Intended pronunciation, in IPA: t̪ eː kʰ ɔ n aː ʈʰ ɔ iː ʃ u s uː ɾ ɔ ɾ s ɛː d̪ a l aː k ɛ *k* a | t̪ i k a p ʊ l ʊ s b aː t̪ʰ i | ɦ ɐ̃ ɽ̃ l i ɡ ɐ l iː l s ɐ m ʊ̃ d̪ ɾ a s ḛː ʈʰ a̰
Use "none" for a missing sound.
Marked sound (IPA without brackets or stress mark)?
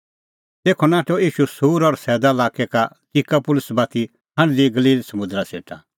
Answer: k